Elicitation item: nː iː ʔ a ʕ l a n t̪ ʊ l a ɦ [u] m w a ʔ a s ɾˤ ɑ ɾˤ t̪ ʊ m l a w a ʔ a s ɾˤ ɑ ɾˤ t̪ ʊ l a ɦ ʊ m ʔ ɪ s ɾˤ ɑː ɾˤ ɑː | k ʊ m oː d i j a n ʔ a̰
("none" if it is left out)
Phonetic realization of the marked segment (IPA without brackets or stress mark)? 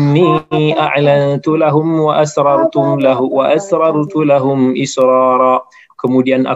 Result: ʊ